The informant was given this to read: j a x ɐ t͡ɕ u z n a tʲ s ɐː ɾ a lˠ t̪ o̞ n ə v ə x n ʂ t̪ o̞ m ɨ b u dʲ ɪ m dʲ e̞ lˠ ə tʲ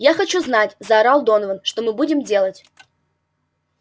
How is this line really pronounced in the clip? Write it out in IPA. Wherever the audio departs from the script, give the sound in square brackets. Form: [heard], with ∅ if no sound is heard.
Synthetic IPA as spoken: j a x ɐ t͡ɕ u z n a tʲ [z] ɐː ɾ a lˠ [d̪] o̞ n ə v ə [∅] n ʂ t̪ o̞ m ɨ b u dʲ ɪ m dʲ e̞ lˠ ə tʲ